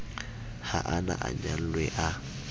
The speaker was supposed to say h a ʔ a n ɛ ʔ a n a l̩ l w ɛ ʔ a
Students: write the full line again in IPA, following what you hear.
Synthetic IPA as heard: h a ʔ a n a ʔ a ɲ a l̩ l w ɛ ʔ a